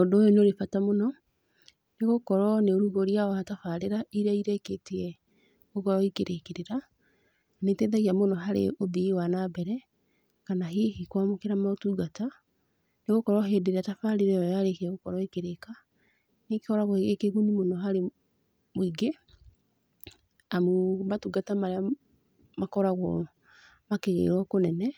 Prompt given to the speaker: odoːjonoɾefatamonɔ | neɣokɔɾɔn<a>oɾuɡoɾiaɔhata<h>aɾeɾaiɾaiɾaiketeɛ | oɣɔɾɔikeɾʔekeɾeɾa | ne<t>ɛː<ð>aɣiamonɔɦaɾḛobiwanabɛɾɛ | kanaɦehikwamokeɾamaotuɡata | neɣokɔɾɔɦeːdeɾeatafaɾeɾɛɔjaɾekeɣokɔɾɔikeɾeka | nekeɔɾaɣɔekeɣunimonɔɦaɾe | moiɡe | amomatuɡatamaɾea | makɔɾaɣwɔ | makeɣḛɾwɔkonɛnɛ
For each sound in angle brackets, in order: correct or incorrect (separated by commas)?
incorrect, incorrect, correct, correct